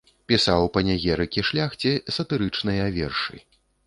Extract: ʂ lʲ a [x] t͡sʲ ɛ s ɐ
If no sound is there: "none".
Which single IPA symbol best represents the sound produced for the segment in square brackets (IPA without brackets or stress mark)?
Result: x